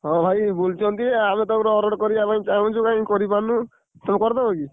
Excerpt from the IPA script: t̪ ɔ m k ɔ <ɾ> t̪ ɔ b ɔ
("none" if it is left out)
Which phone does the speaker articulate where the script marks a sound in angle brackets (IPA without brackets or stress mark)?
ɾ